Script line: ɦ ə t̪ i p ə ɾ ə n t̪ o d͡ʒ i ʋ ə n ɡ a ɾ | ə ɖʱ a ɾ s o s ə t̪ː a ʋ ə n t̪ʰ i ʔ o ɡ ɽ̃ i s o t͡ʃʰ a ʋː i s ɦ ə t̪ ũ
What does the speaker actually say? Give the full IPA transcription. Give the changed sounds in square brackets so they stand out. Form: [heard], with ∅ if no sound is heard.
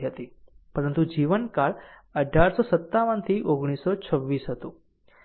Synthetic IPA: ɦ ə t̪ i p ə ɾ ə n t̪ [u] d͡ʒ i ʋ ə n [k] a [ɭ] | ə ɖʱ a ɾ s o s ə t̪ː a ʋ ə n t̪ʰ i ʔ o ɡ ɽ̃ i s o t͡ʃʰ [ə] ʋː i s ɦ ə t̪ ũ